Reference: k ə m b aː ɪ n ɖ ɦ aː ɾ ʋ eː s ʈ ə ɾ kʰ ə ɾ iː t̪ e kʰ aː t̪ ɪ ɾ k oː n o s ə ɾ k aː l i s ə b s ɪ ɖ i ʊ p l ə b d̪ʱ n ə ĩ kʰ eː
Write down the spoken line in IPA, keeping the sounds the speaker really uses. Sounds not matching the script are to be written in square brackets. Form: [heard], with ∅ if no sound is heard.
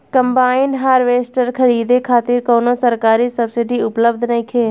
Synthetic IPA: k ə m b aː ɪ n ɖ ɦ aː ɾ ʋ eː s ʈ ə ɾ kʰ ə ɾ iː [d̪] e kʰ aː t̪ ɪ ɾ k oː n o s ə ɾ k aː [ɾ] i s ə b s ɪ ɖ i ʊ p l ə b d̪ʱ n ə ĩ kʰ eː

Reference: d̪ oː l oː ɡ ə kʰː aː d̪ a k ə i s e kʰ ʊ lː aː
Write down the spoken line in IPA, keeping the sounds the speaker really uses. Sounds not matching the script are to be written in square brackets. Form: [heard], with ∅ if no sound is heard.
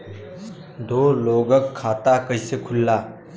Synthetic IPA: d̪ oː l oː ɡ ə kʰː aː [t̪] a k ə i s e kʰ ʊ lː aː

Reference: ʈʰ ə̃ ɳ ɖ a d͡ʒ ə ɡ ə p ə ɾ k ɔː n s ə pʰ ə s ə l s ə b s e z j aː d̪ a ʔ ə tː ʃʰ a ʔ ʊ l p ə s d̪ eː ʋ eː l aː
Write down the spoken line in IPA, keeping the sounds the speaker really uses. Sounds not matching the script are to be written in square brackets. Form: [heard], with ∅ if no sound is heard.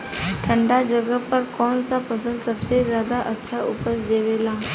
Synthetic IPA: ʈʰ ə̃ ɳ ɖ a d͡ʒ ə ɡ ə p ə ɾ k ɔː n s [a] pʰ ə s ə l s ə b s e z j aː d̪ a ʔ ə tː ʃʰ a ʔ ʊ [∅] p ə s d̪ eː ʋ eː l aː

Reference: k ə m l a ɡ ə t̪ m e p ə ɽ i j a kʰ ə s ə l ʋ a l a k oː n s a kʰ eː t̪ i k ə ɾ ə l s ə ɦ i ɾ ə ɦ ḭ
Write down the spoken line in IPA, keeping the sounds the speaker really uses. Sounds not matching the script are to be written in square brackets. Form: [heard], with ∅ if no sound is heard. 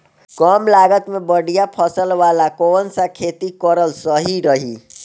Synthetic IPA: k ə m l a ɡ ə t̪ m e [b] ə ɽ i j a [pʰ] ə s ə l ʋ a l a k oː n s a kʰ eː t̪ i k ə ɾ ə l s ə ɦ i ɾ ə ɦ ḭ

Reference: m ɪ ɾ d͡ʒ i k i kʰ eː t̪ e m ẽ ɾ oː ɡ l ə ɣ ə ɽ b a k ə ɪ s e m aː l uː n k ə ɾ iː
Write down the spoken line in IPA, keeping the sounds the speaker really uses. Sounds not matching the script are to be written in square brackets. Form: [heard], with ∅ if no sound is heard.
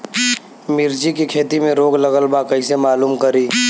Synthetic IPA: m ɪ ɾ d͡ʒ i k i kʰ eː t̪ [i] m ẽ ɾ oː ɡ l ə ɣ ə [l] b a k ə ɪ s e m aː l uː [m] k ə ɾ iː

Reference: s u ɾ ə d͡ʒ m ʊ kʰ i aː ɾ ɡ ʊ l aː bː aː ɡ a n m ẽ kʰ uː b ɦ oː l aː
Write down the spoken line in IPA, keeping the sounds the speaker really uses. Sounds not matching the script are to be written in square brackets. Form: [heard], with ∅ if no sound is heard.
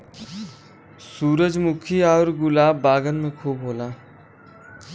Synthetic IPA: s [uː] ɾ ə d͡ʒ m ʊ kʰ i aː ɾ ɡ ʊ l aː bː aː ɡ [ə] n m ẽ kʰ uː b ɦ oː l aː

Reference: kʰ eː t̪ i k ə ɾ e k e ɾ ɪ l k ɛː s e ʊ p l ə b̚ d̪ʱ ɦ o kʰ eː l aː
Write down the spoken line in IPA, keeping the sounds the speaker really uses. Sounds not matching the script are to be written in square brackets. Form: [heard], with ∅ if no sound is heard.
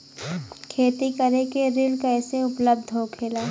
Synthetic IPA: kʰ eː t̪ i k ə ɾ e k e ɾ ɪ l k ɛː s e ʊ p l ə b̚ d̪ʱ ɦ o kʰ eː l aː

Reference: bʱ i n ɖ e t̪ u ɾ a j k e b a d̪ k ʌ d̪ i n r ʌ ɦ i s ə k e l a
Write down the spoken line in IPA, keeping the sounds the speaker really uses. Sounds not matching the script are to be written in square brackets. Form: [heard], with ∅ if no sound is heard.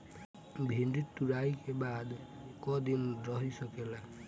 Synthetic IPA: bʱ i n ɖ [i] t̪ u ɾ a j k e b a d̪ k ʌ d̪ i n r ʌ ɦ i s [ʌ] k e l a

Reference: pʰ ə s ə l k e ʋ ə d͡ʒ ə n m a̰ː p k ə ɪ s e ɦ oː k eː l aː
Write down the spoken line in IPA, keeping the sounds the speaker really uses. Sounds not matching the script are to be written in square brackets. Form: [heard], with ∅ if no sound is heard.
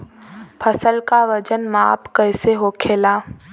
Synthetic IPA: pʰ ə s ə l k [a] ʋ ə d͡ʒ ə n m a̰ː p k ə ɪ s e ɦ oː [kʰ] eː l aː

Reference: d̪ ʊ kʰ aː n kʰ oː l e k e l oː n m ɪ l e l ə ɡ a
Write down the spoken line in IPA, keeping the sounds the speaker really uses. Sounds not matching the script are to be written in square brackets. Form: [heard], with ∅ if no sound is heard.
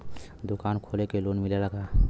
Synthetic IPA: d̪ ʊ [k] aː n kʰ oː l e k e l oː n m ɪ l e l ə ɡ a

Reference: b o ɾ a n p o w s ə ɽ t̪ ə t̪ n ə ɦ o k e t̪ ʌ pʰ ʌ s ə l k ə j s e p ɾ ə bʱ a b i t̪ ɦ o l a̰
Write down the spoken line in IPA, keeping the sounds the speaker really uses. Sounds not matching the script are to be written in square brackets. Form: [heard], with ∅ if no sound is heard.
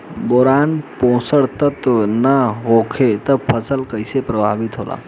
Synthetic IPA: b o ɾ a n p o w s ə ɽ t̪ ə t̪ n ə ɦ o [kʰ] e t̪ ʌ pʰ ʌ s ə l k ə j s e p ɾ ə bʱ a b i t̪ ɦ o l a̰

